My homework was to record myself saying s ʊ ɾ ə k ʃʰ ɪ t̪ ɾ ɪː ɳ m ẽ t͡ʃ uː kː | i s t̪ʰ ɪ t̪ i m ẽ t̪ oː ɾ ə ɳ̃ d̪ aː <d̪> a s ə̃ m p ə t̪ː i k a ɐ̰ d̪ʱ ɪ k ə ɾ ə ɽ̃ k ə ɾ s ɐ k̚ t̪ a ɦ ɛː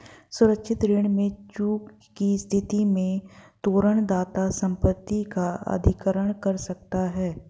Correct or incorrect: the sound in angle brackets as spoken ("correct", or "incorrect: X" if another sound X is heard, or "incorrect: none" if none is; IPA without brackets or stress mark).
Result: incorrect: t̪